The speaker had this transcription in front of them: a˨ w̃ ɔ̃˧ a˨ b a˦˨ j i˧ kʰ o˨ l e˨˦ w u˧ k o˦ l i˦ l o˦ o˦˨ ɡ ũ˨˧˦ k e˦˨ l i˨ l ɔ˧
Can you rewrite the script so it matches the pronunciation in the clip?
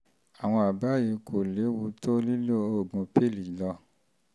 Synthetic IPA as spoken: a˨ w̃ ɔ̃˧ a˨ b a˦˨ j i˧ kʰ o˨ l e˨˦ w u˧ t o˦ l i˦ l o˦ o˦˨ ɡ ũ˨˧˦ p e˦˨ l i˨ l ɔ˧